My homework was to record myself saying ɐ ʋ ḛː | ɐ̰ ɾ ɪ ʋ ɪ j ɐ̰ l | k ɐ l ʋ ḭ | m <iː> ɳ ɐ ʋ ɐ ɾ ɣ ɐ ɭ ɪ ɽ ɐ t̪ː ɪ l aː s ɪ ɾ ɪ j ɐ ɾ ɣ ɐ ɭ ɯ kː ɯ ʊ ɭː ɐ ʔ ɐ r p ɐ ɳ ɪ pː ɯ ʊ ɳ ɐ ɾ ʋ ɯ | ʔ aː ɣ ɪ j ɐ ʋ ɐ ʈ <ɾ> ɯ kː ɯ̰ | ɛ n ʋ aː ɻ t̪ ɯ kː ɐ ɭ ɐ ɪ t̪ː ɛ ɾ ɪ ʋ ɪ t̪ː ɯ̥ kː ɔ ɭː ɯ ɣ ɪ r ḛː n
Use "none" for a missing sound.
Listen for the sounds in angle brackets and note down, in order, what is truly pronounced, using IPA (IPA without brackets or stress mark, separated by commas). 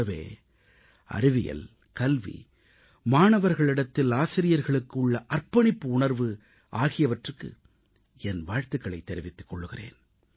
aː, r